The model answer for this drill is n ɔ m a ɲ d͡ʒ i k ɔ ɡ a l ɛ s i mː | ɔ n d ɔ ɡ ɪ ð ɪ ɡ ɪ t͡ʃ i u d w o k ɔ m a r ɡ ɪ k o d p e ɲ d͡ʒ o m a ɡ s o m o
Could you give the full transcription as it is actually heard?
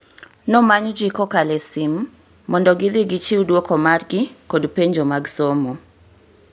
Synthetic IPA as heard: n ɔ m a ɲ d͡ʒ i k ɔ k a l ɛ s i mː | ɔ n d ɔ ɡ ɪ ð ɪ ɡ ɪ t͡ʃ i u d w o k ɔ m a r ɡ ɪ k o d p e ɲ d͡ʒ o m a ɡ s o m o